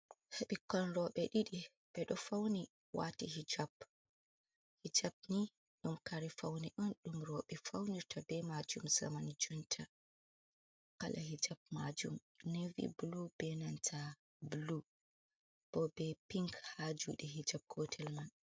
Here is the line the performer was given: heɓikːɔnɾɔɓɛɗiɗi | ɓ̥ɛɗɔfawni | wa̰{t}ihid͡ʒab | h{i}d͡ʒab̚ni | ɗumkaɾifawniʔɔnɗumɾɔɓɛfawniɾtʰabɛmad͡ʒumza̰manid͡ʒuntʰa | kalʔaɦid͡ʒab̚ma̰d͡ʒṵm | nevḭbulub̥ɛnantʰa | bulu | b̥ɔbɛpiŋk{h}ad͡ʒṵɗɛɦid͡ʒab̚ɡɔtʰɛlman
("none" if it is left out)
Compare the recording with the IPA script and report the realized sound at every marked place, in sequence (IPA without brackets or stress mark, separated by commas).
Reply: t, i, h